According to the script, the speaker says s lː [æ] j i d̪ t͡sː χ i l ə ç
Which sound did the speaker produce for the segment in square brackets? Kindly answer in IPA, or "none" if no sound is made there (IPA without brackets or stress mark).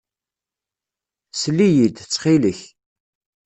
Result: i